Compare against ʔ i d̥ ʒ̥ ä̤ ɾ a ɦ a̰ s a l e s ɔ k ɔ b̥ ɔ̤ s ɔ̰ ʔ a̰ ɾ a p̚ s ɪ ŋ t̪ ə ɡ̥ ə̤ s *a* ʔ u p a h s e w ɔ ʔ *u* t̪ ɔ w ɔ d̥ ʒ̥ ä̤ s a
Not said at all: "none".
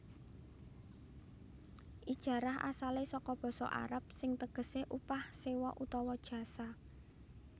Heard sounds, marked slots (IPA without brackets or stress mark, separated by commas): e, u